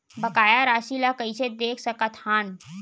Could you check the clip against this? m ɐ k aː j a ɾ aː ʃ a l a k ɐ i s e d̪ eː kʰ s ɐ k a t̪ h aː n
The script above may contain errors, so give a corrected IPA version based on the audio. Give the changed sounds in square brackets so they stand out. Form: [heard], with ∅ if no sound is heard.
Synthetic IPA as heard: [b] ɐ k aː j a ɾ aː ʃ [i] l a k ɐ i s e d̪ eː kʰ s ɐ k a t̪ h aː n